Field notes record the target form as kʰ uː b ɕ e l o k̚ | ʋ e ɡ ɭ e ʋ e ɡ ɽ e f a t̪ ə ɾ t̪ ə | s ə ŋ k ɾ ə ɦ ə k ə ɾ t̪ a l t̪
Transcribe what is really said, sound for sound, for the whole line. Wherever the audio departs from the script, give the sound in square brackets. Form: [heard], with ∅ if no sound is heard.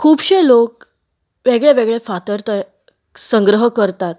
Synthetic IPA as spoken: kʰ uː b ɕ e l o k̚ | ʋ e ɡ ɭ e ʋ e ɡ [ɭ] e f a t̪ ə ɾ t̪ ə | s ə ŋ [ɡ] ɾ ə ɦ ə k ə ɾ t̪ a [∅] t̪